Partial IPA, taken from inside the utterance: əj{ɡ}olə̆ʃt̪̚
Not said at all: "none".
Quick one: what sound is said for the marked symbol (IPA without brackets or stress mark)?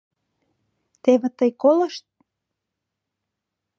k